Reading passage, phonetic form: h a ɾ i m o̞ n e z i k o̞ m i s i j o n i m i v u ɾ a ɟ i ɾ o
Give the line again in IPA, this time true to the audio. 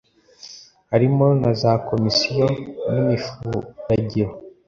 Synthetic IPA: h a ɾ i m o̞ n a z a k o̞ m i s i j o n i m i f u ɾ a ɟ i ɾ o